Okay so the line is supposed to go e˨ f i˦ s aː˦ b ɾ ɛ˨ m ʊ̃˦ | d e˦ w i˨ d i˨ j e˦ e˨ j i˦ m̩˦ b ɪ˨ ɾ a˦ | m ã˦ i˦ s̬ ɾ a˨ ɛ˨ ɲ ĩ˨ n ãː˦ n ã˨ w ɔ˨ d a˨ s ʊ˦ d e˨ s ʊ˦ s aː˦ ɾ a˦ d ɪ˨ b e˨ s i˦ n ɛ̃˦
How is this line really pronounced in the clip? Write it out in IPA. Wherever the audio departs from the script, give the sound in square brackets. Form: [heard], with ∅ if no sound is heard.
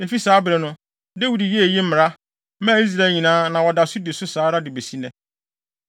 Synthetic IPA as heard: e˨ f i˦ s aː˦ b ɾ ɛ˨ [n] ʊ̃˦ | d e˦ w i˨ d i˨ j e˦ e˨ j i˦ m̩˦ [m] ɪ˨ ɾ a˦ | m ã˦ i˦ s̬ ɾ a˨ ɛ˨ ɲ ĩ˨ n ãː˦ n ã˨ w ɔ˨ d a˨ s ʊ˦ d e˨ s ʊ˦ s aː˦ ɾ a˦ d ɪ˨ b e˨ s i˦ n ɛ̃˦